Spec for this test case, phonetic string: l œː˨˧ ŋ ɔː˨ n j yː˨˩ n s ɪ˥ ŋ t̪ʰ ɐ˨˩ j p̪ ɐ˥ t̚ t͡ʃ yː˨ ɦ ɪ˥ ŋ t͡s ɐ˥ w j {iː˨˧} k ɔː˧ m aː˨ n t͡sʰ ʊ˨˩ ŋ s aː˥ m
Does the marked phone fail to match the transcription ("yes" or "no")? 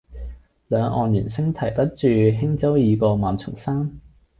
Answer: no